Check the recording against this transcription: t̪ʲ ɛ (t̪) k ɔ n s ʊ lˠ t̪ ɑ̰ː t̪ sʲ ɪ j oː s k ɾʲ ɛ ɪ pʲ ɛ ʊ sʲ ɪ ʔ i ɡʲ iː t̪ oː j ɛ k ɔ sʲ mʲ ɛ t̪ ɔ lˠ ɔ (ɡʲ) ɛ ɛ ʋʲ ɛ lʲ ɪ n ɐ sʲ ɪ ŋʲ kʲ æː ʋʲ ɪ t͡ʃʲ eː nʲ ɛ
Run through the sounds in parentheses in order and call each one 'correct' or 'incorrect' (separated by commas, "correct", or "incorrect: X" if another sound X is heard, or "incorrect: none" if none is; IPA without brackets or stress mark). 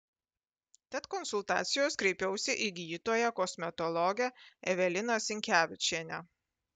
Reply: correct, correct